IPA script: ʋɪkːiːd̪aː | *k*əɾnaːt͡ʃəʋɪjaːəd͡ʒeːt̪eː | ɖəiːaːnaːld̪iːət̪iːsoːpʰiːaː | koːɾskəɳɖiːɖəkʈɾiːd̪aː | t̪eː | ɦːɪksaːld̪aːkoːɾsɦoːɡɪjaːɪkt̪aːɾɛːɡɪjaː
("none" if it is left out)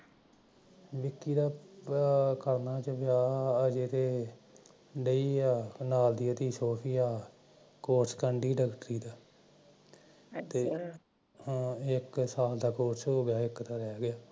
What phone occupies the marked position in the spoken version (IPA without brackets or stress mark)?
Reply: k